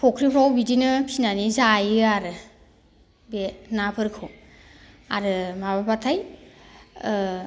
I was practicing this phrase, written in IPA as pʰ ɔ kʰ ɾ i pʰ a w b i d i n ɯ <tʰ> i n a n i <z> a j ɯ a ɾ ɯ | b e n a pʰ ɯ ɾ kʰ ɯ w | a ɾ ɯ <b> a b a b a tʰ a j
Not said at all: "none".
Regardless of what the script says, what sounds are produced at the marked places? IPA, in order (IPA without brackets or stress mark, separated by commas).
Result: pʰ, z, m